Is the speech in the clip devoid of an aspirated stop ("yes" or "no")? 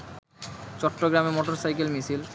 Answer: yes